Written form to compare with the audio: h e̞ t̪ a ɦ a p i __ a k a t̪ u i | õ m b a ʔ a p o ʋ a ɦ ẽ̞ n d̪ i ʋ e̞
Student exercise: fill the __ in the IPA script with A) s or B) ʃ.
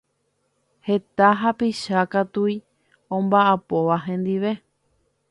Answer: B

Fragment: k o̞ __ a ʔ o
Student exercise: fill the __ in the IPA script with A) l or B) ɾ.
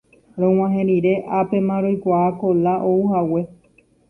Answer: A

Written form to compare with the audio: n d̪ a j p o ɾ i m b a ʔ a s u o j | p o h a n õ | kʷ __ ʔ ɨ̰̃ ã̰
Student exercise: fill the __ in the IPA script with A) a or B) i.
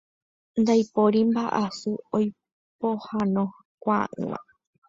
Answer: A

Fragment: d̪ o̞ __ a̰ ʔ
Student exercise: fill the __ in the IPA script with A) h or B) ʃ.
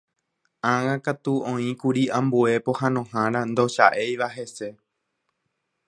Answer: B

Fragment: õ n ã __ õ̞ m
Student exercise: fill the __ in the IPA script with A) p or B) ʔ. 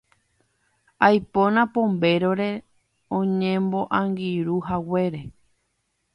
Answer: A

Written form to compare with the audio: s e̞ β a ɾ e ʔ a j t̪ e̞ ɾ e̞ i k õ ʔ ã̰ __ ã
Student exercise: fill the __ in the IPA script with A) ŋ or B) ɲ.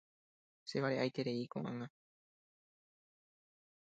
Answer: A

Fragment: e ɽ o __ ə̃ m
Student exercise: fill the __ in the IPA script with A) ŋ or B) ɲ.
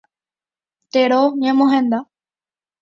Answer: B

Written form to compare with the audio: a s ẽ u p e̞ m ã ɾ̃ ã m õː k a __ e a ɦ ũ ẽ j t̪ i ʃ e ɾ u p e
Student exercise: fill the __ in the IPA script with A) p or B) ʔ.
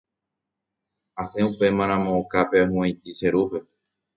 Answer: A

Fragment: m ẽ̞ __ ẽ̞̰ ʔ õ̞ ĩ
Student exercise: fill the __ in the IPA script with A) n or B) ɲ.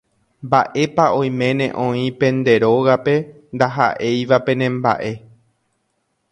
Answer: A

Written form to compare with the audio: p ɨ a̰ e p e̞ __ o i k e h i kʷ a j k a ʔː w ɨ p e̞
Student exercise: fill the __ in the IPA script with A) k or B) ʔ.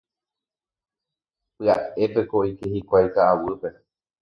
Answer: A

